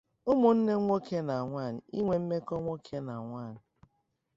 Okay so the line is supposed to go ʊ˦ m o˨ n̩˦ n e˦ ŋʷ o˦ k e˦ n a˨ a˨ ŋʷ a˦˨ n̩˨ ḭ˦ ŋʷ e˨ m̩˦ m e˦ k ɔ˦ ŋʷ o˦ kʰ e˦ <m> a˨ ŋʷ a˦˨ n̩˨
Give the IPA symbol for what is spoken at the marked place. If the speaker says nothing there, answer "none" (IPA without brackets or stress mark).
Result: n